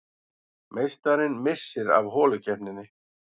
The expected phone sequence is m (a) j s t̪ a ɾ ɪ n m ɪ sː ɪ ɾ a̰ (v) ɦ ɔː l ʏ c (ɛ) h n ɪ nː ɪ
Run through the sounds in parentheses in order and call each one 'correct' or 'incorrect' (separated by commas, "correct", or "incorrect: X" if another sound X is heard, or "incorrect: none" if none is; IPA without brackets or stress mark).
incorrect: e, correct, correct